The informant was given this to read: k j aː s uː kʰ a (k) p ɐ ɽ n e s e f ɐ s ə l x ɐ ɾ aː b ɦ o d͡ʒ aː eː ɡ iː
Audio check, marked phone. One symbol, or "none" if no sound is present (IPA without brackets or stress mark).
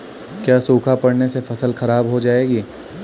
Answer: none